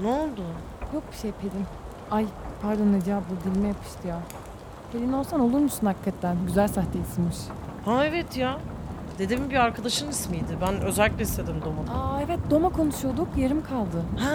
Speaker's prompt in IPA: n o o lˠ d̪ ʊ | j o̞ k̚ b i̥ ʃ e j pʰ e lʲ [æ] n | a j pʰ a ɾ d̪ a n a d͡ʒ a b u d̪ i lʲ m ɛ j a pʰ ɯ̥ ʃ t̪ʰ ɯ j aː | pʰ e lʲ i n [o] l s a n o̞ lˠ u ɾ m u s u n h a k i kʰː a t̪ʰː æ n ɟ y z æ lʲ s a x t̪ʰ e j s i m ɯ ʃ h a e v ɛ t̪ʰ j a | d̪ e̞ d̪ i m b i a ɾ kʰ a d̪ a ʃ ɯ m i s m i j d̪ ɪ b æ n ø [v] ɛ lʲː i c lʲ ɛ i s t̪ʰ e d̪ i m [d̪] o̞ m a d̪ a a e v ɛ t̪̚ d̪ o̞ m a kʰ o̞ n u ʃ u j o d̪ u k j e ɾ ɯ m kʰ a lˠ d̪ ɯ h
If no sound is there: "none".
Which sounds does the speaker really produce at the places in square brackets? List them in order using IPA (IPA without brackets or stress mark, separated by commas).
i, o, z, d̪